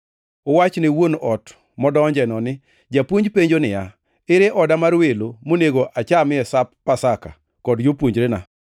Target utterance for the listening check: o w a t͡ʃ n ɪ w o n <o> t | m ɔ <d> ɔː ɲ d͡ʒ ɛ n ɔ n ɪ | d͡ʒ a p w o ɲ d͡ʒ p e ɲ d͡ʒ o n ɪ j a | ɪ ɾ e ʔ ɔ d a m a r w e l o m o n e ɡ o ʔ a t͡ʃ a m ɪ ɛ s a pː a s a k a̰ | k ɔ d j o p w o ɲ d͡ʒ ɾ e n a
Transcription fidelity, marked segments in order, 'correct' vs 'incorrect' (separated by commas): incorrect, correct